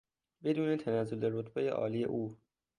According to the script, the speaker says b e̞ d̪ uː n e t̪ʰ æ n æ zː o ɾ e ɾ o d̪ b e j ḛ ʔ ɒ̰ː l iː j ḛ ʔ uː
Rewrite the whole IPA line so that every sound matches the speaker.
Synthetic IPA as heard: b e̞ d̪ uː n e t̪ʰ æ n æ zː o l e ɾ o t̪ b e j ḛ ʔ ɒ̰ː l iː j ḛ ʔ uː